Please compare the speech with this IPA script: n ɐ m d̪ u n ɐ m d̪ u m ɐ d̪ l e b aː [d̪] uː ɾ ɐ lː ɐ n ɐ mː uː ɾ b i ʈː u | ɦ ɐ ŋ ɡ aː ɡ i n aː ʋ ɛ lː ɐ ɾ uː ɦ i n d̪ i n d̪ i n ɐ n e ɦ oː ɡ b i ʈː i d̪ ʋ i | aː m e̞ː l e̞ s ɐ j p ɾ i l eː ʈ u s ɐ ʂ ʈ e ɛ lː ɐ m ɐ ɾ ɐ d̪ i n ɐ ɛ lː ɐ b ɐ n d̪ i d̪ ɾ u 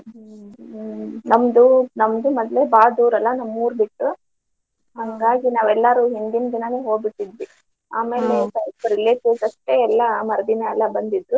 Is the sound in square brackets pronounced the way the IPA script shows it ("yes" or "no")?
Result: yes